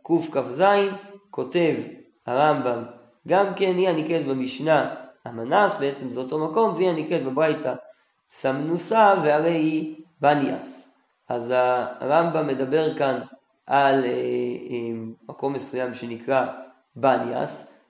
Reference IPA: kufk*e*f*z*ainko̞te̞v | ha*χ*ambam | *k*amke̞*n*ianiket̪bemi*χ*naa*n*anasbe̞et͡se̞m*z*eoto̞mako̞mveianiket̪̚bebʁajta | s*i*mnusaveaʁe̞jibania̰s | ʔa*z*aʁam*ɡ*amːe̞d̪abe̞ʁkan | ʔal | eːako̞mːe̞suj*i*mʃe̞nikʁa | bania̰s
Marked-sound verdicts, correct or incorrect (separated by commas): incorrect, correct, incorrect, incorrect, correct, incorrect, incorrect, correct, incorrect, correct, incorrect, incorrect